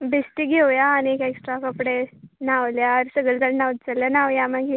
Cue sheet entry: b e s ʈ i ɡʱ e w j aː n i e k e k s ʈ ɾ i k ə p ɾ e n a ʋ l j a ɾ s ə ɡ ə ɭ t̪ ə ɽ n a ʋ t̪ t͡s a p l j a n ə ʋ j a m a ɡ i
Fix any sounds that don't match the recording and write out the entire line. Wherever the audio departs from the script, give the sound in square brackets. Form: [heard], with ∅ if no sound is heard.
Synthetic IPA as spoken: b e s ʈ i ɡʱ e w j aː n i e k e k s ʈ ɾ [a] k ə p [ɽ] e n a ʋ l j a ɾ s ə ɡ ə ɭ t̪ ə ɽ n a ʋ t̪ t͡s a [∅] l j a n [a] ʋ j a m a ɡ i